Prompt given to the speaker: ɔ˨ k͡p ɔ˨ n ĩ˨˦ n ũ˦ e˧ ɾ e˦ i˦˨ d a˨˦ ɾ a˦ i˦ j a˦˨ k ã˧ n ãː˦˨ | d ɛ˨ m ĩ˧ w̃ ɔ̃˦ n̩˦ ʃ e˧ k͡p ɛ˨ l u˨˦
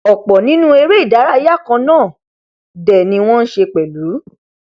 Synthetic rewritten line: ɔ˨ k͡p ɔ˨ n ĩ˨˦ n ũ˦ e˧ ɾ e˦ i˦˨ d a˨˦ ɾ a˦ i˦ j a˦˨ k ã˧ n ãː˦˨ | d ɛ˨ n ĩ˧ w̃ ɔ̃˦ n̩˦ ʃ e˧ k͡p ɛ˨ l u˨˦